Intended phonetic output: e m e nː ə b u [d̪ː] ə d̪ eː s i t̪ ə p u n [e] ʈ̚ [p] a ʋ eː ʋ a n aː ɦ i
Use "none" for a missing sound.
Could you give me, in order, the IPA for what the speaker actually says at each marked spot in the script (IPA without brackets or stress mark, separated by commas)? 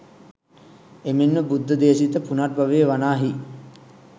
d̪ː, a, b